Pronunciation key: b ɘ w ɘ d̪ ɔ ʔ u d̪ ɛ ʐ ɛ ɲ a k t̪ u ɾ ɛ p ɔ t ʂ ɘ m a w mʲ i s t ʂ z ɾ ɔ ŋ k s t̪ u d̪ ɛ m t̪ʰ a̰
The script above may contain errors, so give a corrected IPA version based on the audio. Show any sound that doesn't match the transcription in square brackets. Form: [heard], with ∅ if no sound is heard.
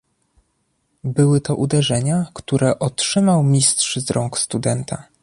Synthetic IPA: b ɘ w ɘ [t̪] ɔ ʔ u d̪ ɛ ʐ ɛ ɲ a k t̪ u ɾ ɛ [ʔ] ɔ t ʂ ɘ m a w mʲ i s t ʂ z ɾ ɔ ŋ k s t̪ u d̪ ɛ [n] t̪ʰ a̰